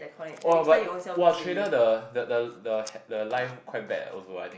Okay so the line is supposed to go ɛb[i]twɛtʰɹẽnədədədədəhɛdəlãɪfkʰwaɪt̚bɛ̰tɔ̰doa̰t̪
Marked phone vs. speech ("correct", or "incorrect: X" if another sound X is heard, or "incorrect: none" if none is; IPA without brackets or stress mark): incorrect: a